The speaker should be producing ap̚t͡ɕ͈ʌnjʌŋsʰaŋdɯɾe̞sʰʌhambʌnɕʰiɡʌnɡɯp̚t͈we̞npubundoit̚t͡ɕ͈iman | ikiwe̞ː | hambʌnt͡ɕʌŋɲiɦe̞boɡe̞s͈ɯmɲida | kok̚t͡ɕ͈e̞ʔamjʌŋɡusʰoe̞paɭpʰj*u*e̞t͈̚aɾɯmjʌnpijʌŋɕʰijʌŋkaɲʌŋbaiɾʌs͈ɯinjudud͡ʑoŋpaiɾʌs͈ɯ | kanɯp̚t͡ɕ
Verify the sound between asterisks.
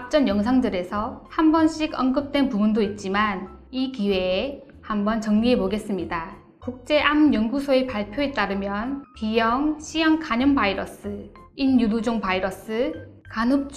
incorrect: o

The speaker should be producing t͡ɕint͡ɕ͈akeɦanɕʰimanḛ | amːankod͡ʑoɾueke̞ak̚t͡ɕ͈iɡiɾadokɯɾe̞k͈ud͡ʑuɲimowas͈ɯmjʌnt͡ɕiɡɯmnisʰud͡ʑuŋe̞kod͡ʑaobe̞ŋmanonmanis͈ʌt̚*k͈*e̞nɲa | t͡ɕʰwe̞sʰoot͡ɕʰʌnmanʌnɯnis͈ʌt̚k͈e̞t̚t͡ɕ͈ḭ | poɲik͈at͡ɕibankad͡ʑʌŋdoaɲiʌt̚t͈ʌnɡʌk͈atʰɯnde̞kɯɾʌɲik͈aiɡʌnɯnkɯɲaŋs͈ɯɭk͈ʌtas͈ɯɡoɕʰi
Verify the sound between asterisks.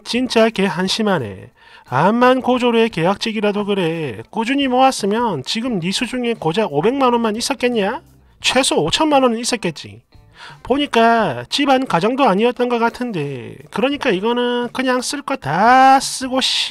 correct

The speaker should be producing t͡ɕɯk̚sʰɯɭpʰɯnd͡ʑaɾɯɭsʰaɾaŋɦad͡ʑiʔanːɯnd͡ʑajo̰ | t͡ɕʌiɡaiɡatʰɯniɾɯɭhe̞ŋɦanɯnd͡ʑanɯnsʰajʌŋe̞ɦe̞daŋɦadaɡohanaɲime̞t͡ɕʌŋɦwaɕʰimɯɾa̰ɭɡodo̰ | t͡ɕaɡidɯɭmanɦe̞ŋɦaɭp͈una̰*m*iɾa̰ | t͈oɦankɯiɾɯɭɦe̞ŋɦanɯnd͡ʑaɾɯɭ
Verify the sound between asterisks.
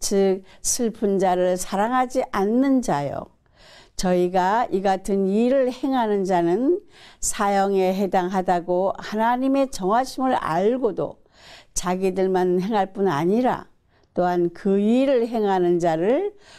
incorrect: ɲ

